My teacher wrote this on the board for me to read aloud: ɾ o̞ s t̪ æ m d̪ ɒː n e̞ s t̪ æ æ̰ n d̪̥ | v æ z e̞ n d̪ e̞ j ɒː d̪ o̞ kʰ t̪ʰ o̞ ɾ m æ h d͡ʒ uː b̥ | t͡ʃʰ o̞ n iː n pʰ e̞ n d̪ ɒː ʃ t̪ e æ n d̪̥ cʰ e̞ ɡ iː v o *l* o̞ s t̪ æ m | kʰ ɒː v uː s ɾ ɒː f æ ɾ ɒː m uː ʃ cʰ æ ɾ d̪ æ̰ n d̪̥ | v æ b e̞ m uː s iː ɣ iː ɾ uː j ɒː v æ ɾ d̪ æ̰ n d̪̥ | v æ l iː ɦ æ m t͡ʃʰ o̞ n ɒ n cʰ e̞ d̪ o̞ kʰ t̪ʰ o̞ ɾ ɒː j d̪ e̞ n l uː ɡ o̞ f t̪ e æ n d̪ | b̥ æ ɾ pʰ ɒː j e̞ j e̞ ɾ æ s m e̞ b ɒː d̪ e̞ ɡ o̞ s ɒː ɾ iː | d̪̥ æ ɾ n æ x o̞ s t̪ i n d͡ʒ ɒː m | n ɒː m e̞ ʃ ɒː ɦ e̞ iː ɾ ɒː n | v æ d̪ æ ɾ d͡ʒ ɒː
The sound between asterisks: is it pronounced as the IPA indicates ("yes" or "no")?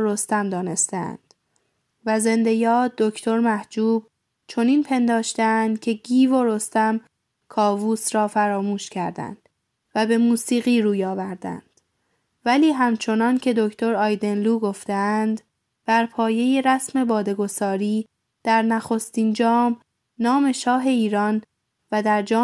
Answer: no